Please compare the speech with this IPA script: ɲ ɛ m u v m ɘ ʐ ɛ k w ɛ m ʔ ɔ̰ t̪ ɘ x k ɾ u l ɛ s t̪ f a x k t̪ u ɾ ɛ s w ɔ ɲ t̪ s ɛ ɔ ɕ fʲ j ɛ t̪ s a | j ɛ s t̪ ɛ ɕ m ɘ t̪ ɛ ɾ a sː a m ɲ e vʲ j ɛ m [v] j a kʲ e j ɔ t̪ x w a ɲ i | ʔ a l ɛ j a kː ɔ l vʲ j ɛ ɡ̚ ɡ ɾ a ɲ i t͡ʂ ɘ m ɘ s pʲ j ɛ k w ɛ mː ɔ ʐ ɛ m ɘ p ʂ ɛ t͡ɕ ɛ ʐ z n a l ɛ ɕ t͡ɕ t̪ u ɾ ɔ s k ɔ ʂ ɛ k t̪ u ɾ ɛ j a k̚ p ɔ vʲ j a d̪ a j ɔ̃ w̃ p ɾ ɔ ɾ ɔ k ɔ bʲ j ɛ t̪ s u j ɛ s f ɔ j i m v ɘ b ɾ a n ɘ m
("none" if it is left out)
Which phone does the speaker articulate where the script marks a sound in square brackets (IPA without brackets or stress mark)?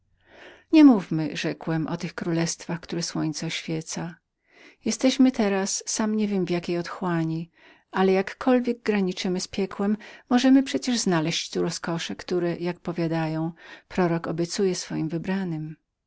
v